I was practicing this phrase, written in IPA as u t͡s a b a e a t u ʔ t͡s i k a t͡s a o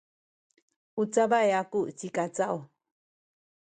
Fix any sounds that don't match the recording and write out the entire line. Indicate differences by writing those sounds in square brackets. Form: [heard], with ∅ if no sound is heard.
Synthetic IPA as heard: u t͡s a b a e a [k] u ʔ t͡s i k a t͡s a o